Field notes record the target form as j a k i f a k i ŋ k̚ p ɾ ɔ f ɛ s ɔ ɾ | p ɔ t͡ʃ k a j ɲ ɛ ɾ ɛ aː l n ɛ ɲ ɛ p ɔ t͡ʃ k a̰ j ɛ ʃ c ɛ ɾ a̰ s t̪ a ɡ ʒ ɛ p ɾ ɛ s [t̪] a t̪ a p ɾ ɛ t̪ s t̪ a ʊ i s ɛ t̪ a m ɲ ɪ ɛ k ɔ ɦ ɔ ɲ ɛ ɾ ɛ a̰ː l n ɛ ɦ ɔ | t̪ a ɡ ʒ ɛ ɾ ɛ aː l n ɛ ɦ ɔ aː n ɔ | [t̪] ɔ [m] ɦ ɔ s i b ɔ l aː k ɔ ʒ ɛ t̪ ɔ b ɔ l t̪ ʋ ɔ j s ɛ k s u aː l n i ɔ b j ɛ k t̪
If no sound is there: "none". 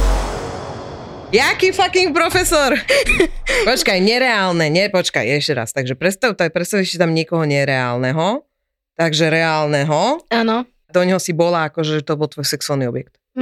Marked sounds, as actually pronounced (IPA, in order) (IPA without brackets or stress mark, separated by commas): t̪, d̪, ɲ